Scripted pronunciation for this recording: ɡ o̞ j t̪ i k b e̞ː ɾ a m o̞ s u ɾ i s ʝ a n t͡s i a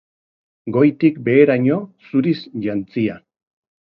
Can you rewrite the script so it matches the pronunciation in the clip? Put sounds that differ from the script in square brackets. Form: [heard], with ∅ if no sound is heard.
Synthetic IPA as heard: ɡ o̞ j t̪ i k b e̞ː ɾ a [ɲ] o̞ s u ɾ i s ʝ a n t͡s i a

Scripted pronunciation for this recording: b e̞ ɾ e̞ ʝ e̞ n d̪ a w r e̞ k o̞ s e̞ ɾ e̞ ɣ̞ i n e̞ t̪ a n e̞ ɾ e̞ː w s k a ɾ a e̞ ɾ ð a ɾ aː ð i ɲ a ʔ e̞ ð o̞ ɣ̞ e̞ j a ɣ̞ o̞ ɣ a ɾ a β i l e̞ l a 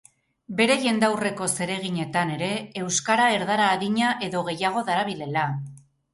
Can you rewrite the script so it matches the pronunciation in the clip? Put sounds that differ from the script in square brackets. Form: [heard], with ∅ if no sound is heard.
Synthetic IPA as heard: b e̞ ɾ e̞ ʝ e̞ n d̪ a w r e̞ k o̞ s e̞ ɾ e̞ ɣ̞ i [ɲ] e̞ t̪ a n e̞ ɾ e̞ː w s k a ɾ a e̞ ɾ ð a ɾ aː ð i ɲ a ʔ e̞ ð o̞ ɣ̞ e̞ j a ɣ̞ o̞ [ð] a ɾ a β i l e̞ l a

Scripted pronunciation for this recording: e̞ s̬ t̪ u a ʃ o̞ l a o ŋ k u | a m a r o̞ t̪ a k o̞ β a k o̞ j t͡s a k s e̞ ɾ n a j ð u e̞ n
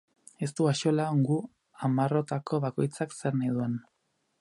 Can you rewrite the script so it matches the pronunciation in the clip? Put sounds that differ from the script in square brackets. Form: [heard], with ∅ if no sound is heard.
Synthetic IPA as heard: e̞ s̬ t̪ u a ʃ o̞ l a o ŋ [ɡ] u | a m a r o̞ t̪ a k o̞ β a k o̞ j t͡s a k s e̞ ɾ n a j ð u e̞ n

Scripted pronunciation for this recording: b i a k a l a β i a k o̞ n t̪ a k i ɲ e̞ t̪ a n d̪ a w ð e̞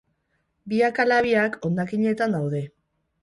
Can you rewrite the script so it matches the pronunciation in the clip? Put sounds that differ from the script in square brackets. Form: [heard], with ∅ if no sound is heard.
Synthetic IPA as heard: b i a k a l a β i a k o̞ n [d̪] a k i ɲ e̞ t̪ a n d̪ a w ð e̞

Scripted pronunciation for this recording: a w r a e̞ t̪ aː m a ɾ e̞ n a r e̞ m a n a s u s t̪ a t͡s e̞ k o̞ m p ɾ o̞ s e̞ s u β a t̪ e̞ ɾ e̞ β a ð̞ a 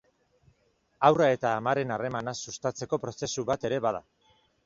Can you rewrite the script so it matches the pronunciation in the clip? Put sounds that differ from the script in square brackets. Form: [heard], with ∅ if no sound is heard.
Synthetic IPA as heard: a w r a e̞ t̪ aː m a ɾ e̞ n a r e̞ m a n a s u s t̪ a t͡s e̞ k o̞ [∅] p ɾ o̞ s e̞ s u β a t̪ e̞ ɾ e̞ β a ð̞ a

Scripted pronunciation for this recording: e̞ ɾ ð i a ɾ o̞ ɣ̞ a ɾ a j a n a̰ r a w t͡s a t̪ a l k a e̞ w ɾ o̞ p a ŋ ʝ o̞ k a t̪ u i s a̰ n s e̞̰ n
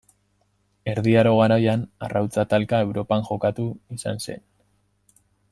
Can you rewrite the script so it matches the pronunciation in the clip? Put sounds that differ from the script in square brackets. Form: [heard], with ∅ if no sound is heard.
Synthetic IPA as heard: e̞ ɾ ð i a ɾ o̞ ɣ̞ a ɾ a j a n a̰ r a w t͡s a t̪ a l k a e̞ w ɾ o̞ p a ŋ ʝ o̞ k a t̪ u i s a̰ n s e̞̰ n

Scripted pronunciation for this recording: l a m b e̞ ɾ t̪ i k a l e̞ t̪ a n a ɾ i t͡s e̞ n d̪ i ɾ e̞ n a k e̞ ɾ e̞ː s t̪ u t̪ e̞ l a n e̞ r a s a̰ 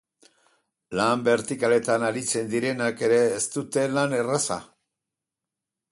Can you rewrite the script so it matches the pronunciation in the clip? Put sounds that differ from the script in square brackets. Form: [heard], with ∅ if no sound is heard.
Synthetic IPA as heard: l a m b e̞ ɾ t̪ i k a l e̞ t̪ a n a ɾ i t͡s e̞ n d̪ i ɾ e̞ n a k e̞ ɾ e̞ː s t̪ u t̪ e̞ l a n e̞ r a s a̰

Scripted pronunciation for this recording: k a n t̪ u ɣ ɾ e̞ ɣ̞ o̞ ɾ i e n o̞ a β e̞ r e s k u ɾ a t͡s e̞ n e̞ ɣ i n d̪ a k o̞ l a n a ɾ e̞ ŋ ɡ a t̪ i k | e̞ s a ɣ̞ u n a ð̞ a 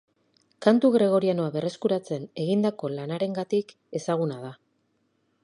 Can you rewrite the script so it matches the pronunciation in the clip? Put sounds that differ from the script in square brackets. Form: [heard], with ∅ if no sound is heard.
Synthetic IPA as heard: k a n t̪ u ɣ ɾ e̞ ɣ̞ o̞ ɾ i [a] n o̞ a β e̞ r e s k u ɾ a t͡s e̞ n e̞ ɣ i n d̪ a k o̞ l a n a ɾ e̞ ŋ ɡ a t̪ i k | e̞ s a ɣ̞ u n a ð̞ a

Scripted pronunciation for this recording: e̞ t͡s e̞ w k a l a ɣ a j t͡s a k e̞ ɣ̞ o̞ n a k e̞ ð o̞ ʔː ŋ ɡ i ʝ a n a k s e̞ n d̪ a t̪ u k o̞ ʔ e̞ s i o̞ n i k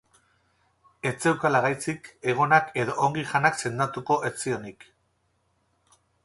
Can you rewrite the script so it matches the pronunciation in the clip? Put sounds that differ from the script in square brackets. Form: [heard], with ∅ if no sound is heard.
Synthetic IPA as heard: e̞ t͡s e̞ w k a l a ɣ a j t͡s [i] k e̞ ɣ̞ o̞ n a k e̞ ð o̞ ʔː ŋ ɡ i ʝ a n a k s e̞ n d̪ a t̪ u k o̞ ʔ e̞ [t͡s] i o̞ n i k

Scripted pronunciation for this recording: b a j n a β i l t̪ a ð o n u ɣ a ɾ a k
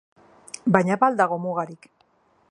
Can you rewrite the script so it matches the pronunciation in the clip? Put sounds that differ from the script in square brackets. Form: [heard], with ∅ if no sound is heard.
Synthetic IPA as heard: b a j [ɲ] a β [a] l [d̪] a [ɣ] o [m] u ɣ a ɾ [i] k

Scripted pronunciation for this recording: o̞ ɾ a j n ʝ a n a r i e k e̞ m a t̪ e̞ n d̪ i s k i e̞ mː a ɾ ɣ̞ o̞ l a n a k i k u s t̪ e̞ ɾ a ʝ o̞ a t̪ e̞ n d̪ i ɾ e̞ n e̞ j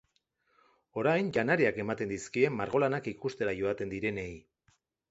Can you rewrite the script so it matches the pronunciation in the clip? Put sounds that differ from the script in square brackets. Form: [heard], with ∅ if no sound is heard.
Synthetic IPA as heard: o̞ ɾ a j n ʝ a n a [ɾ] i [a] k e̞ m a t̪ e̞ n d̪ i s k i e̞ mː a ɾ ɣ̞ o̞ l a n a k i k u s t̪ e̞ ɾ a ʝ o̞ a t̪ e̞ n d̪ i ɾ e̞ n e̞ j

